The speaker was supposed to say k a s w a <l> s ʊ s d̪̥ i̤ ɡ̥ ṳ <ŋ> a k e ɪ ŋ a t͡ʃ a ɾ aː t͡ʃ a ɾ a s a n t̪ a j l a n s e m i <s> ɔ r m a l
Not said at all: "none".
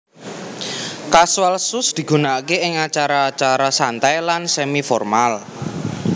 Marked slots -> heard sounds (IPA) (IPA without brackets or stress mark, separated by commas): l, n, f